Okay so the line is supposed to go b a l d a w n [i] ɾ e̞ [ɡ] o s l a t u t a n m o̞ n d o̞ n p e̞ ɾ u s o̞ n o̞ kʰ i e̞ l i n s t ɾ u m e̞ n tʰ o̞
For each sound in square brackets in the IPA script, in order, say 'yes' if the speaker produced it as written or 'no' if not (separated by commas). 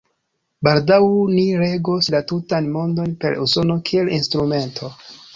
yes, yes